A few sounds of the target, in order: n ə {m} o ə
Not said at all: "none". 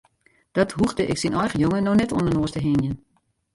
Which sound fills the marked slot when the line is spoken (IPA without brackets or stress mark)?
n